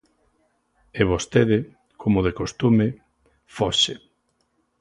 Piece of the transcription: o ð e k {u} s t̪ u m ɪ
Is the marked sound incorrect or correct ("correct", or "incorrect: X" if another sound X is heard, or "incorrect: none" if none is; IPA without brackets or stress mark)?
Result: incorrect: o